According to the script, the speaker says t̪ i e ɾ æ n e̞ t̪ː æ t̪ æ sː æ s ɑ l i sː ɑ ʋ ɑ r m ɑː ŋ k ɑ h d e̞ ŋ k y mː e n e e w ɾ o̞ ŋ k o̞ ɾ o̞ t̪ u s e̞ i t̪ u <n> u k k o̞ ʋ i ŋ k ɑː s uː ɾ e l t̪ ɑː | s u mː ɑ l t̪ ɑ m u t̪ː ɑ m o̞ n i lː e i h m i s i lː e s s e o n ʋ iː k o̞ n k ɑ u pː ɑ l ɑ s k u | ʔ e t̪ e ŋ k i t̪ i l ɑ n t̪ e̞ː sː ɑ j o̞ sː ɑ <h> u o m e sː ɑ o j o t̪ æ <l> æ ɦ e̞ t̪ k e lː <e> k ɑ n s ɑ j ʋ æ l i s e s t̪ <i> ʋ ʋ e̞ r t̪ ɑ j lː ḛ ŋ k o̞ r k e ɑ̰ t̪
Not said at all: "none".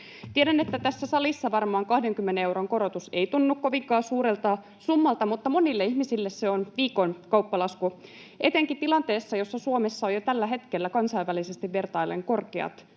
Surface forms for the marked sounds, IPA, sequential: nː, s, lː, æ, i

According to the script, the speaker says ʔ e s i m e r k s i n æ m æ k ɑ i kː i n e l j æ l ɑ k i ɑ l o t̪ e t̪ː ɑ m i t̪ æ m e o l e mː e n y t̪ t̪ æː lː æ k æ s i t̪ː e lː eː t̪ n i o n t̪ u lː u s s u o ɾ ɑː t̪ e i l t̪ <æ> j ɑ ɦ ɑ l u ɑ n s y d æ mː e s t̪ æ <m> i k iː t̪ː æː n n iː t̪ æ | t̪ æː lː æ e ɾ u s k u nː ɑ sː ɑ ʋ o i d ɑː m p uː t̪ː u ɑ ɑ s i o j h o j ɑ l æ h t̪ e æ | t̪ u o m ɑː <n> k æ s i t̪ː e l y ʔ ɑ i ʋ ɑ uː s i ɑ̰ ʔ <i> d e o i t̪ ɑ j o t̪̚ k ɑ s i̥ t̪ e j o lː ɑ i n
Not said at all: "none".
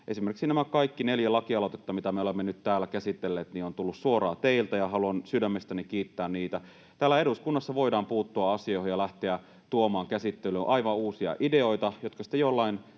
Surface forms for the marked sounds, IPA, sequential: æ, n, ŋ, i

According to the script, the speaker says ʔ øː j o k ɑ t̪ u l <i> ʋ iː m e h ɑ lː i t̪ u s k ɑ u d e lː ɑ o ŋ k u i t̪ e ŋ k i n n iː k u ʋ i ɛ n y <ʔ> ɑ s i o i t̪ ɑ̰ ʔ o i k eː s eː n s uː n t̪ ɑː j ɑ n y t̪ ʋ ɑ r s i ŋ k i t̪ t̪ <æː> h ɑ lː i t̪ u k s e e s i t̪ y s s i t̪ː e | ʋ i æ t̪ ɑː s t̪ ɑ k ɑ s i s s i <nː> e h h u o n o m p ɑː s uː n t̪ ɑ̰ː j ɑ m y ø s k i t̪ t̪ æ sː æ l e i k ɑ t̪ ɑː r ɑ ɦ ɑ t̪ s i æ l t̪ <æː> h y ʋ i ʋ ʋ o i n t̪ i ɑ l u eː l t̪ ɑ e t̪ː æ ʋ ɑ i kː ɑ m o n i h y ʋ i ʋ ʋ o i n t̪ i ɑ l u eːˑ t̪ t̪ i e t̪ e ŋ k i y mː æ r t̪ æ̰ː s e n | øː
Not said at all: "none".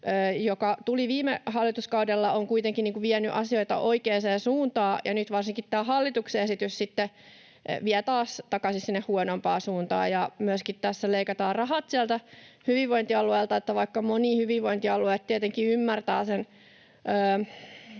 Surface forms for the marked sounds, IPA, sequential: i, ʔ, æː, nː, æ

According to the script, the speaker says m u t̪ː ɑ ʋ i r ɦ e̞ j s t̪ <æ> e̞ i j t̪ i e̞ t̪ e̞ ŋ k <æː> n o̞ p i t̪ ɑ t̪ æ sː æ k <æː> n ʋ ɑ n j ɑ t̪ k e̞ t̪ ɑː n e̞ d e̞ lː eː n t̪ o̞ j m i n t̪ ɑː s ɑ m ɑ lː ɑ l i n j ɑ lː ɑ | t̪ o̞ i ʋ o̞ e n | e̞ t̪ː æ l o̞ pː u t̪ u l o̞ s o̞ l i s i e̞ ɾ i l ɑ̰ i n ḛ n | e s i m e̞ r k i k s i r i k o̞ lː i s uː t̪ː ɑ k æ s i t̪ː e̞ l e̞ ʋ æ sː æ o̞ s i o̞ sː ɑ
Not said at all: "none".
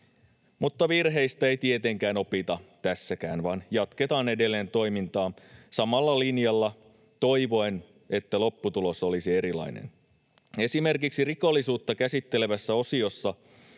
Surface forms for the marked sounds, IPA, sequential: æ, æː, æː

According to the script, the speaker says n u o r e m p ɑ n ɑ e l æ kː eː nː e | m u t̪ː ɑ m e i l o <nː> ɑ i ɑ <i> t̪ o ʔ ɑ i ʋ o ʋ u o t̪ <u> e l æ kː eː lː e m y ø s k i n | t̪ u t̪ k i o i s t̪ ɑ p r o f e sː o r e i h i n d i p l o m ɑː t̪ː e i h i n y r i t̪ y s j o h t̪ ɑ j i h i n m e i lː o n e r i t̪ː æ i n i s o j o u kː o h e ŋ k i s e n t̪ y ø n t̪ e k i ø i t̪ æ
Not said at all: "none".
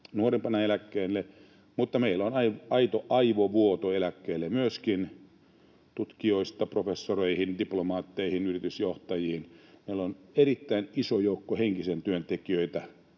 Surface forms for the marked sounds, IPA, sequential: n, i, o

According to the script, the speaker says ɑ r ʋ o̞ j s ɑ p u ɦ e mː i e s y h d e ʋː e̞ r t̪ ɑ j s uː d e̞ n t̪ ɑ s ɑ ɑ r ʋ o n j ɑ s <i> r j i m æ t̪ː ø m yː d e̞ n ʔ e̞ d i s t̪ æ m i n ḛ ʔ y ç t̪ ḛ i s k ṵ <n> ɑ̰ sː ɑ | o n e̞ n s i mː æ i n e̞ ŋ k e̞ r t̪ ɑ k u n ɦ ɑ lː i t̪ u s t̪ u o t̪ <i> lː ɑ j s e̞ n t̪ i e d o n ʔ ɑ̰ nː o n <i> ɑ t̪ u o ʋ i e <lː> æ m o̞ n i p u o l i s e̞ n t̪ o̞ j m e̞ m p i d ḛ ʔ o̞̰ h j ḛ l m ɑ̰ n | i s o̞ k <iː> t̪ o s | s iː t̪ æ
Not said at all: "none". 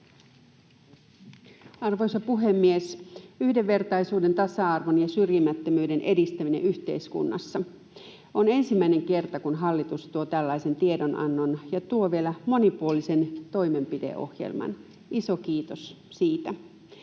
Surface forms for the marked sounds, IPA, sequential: y, nː, æ, j, l, iː

